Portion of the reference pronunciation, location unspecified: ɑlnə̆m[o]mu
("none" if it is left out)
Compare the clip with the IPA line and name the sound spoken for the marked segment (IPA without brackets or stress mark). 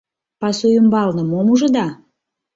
o